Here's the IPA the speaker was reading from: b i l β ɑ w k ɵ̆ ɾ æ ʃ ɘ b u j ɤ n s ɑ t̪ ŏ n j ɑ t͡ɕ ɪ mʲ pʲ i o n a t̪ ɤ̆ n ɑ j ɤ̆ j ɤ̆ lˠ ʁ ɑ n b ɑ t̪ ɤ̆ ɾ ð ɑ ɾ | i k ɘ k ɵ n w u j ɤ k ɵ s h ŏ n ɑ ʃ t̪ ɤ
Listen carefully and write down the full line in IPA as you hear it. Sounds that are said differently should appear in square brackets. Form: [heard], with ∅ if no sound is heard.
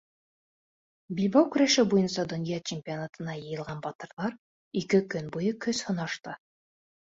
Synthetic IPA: b i l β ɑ w k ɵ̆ ɾ æ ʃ ɘ b u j ɤ n s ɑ [d̪] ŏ n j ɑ t͡ɕ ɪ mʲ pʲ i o n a t̪ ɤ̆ n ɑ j ɤ̆ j ɤ̆ lˠ ʁ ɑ n b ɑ t̪ ɤ̆ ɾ ð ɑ ɾ | i k ɘ k ɵ n [b] u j ɤ k ɵ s h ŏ n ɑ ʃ t̪ ɤ